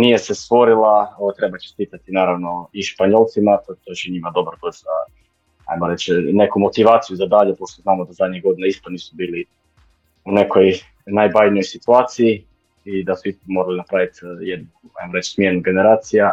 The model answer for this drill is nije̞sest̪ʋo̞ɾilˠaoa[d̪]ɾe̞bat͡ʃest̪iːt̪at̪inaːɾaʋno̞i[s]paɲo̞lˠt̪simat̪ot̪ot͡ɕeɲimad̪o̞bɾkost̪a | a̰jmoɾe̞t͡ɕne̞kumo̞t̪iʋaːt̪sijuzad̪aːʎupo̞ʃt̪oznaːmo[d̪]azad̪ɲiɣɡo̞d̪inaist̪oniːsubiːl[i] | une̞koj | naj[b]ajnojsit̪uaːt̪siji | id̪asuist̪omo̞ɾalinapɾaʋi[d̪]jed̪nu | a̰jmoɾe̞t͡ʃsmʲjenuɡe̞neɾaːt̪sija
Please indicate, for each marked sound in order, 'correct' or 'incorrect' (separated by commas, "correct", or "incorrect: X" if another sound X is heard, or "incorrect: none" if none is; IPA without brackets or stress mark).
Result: incorrect: t̪, incorrect: ʃ, correct, correct, correct, incorrect: t̪